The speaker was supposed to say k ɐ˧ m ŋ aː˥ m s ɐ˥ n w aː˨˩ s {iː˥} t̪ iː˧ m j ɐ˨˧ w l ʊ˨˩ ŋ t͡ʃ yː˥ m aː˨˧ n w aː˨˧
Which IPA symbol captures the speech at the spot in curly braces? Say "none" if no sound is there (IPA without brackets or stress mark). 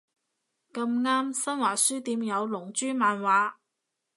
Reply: yː˥